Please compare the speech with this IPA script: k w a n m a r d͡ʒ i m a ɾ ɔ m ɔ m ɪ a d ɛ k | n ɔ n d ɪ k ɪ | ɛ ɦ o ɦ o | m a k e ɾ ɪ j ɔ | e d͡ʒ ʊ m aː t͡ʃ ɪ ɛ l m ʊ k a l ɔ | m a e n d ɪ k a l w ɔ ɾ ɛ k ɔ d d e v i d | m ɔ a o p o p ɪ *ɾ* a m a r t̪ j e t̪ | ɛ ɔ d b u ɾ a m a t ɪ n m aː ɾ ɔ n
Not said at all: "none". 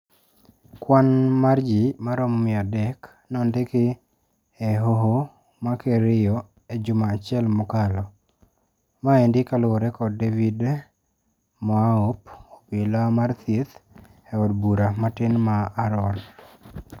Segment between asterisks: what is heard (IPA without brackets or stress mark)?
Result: l